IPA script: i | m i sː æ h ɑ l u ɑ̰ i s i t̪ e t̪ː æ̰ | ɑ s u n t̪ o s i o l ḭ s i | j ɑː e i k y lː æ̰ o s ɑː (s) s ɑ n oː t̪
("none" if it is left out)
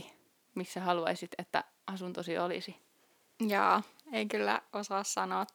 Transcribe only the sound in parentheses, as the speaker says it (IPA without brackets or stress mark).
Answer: s